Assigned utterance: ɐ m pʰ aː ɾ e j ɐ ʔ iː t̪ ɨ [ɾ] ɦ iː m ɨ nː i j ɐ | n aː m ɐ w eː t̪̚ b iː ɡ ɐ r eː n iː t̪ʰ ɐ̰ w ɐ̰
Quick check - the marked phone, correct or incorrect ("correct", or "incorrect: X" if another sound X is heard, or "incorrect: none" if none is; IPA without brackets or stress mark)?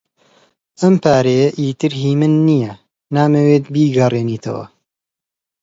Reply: correct